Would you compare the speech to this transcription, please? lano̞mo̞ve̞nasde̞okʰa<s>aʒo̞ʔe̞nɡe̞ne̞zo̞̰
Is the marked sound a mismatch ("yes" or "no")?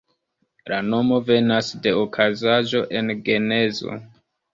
yes